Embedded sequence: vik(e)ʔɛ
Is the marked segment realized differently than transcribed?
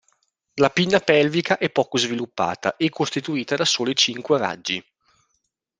yes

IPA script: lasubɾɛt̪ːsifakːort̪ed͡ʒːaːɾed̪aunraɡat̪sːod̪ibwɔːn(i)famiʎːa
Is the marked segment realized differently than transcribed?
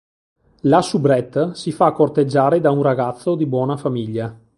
yes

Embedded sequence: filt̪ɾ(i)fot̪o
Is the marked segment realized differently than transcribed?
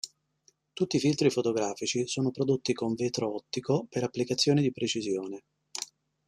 no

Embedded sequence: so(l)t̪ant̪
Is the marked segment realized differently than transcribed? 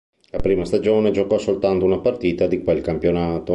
no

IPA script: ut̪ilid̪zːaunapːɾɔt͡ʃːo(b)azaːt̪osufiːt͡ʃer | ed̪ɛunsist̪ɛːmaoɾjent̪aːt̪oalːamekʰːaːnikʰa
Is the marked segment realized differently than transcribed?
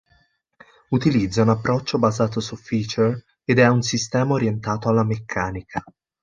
no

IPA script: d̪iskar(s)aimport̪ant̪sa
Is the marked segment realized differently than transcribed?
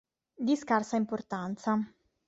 no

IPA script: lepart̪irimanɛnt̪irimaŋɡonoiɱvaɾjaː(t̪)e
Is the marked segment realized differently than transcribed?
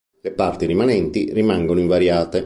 no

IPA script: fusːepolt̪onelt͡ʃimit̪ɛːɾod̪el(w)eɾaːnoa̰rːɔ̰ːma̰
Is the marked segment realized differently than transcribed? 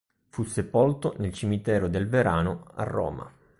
yes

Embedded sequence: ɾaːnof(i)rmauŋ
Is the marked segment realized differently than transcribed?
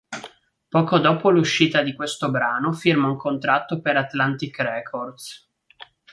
no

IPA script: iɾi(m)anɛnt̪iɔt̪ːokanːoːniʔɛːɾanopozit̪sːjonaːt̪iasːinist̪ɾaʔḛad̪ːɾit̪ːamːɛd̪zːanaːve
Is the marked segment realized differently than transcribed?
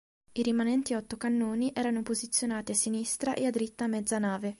no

